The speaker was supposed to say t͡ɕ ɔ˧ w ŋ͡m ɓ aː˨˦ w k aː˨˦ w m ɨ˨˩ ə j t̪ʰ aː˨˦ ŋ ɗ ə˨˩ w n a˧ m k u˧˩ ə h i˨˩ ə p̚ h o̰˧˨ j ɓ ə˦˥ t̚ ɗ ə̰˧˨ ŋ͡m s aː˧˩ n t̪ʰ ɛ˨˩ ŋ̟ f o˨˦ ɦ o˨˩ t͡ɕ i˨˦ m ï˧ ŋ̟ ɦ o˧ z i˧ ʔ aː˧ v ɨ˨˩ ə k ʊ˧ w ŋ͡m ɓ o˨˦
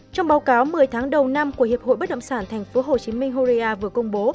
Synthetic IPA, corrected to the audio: t͡ɕ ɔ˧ w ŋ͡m ɓ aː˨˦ w k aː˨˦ w m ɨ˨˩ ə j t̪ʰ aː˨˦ ŋ ɗ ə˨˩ w n a˧ m k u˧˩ ə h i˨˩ ə p̚ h o̰˧˨ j ɓ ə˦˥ t̚ ɗ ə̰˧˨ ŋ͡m s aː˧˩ n t̪ʰ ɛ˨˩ ŋ̟ f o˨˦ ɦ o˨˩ t͡ɕ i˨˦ m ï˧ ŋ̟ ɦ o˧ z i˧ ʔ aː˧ v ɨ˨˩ ə k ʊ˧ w ŋ͡m ɓ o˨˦